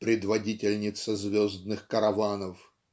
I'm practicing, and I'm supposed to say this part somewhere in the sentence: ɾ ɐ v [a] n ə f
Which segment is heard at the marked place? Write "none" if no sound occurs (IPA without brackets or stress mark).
a